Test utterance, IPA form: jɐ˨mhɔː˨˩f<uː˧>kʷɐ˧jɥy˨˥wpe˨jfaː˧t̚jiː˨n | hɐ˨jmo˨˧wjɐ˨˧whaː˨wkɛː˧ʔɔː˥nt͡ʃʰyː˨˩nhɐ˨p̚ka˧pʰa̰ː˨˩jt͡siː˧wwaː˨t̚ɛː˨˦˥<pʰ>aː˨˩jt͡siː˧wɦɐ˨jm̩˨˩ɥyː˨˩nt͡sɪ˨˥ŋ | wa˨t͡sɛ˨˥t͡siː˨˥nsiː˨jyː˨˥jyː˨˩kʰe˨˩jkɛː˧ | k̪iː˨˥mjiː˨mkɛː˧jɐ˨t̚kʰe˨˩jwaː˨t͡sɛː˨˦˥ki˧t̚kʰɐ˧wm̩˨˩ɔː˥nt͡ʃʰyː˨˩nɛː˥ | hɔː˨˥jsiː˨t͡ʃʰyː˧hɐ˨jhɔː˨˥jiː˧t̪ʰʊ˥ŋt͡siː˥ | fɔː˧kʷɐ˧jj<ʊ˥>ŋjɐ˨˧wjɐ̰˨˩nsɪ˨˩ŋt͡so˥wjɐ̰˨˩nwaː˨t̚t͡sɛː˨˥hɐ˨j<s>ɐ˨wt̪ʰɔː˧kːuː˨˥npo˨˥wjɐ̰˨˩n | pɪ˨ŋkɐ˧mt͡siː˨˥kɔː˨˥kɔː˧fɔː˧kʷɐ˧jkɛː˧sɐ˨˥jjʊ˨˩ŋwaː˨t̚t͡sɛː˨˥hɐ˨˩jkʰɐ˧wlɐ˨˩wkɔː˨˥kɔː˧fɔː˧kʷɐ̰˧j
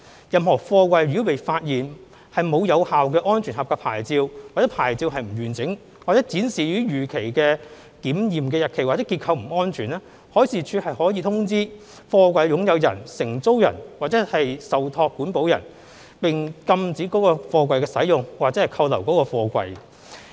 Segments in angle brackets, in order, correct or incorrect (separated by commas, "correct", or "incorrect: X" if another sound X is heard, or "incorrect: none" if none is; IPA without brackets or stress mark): incorrect: ɔː˧, correct, incorrect: ʊ˨˥, correct